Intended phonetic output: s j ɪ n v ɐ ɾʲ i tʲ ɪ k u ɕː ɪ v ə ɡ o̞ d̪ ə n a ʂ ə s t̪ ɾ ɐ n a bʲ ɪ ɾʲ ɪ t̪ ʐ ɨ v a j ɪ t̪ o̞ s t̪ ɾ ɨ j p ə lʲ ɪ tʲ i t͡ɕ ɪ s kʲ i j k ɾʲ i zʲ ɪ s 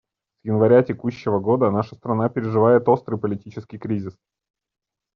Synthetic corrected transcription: s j ɪ n v ɐ ɾʲ a tʲ ɪ k u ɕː ɪ v ə ɡ o̞ d̪ ə n a ʂ ə s t̪ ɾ ɐ n a pʲ ɪ ɾʲ ɪ ʐ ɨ v a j ɪ t̪ o̞ s t̪ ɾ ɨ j p ə lʲ ɪ tʲ i t͡ɕ ɪ s kʲ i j k ɾʲ i zʲ ɪ s